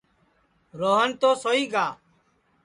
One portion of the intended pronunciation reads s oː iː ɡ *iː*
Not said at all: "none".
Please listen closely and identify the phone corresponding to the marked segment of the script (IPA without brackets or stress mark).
aː